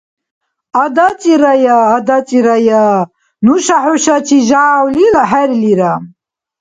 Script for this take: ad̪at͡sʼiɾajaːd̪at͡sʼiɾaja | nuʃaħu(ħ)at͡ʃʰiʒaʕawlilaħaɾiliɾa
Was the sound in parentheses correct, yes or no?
no